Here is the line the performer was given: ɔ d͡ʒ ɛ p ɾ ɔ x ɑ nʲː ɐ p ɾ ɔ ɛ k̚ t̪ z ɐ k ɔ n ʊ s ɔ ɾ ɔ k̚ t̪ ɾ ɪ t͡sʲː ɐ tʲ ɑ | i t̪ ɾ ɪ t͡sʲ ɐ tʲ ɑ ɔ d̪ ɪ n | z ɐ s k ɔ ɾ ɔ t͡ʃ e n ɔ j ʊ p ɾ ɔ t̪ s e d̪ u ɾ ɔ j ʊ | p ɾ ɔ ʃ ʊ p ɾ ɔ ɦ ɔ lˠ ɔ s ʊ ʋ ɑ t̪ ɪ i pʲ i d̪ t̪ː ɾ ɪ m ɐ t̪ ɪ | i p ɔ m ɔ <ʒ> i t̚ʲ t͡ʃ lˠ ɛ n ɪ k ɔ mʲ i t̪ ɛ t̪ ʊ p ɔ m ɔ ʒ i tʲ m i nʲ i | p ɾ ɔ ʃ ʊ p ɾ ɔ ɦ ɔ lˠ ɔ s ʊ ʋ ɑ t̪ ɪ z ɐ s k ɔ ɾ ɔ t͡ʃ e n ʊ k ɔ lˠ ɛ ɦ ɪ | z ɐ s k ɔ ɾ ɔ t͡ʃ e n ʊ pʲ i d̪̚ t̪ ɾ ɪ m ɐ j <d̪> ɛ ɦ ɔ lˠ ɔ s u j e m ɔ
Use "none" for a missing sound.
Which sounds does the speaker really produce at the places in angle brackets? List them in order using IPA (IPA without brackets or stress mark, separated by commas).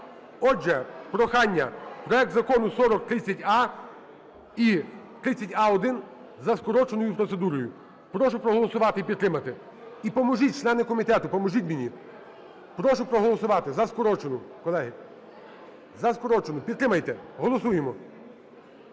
ʒ, t̪